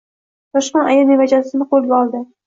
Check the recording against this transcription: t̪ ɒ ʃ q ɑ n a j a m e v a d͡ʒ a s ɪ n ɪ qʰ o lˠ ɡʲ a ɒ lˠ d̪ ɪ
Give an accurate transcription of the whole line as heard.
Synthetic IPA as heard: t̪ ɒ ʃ q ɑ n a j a n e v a d͡ʒ a s ɪ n ɪ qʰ o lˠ ɡʲ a ɒ lˠ d̪ ɪ